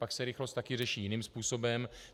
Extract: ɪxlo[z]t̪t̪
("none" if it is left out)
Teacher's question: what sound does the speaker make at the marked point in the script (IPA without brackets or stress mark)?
s